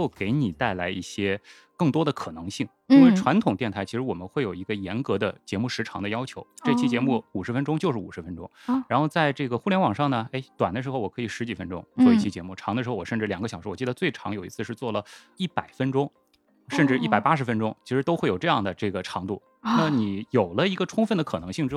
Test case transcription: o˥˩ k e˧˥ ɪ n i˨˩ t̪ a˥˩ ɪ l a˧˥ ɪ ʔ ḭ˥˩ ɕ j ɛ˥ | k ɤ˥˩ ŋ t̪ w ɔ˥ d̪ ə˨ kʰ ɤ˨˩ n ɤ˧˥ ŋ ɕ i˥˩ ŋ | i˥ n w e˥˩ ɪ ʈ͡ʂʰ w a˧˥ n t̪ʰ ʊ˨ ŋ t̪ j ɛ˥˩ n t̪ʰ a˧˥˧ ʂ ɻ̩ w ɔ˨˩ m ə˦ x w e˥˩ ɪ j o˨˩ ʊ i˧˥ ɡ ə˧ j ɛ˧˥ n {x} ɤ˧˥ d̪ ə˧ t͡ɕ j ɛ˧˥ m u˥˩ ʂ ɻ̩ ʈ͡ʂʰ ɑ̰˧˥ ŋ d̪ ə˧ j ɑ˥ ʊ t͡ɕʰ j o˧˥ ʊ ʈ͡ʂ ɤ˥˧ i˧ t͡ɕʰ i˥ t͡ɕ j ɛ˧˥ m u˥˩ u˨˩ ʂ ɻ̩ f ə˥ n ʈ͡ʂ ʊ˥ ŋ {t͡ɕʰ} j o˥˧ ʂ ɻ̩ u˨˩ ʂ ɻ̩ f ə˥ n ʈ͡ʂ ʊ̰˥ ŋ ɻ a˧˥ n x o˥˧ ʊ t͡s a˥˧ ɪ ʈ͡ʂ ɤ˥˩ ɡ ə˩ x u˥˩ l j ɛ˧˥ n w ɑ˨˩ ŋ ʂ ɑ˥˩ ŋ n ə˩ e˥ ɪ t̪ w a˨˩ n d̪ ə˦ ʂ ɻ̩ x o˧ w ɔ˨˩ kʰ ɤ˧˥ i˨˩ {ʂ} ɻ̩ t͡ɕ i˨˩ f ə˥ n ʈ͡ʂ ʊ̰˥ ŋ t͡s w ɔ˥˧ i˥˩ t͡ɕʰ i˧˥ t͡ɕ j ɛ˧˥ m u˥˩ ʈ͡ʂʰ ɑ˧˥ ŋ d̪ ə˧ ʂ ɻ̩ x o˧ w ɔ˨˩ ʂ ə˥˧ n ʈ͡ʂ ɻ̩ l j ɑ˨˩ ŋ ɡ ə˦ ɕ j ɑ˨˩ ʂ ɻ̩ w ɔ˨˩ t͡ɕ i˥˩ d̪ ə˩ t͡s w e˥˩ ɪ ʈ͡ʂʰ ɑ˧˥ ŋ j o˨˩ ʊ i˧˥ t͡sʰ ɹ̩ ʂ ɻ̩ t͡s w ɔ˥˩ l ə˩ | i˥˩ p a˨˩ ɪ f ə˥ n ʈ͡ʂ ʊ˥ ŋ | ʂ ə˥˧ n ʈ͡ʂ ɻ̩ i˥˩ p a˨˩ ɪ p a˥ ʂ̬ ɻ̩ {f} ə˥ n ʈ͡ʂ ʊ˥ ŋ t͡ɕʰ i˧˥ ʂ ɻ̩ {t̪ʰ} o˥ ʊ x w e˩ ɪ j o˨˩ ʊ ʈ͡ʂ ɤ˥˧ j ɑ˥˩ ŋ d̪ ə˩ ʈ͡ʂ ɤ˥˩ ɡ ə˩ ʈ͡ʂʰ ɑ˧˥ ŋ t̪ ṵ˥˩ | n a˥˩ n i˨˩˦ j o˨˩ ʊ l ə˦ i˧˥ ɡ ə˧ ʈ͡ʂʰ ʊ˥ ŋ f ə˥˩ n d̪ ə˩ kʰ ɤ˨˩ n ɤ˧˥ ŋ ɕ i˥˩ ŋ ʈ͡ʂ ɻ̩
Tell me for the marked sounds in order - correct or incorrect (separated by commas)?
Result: incorrect, incorrect, correct, correct, incorrect